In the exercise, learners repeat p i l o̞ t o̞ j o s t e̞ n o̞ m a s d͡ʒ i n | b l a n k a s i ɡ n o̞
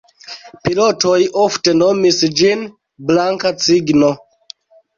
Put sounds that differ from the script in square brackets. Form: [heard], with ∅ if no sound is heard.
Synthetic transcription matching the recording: p i l o̞ t o̞ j o [f] t e̞ n o̞ m [i] s d͡ʒ i n | b l a [ŋ] k a [t͡s] i ɡ n o̞